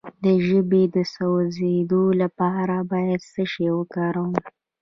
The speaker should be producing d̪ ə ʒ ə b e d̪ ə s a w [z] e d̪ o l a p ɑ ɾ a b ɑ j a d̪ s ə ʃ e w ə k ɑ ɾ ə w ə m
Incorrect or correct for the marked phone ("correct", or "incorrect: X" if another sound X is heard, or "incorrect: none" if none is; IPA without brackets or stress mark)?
correct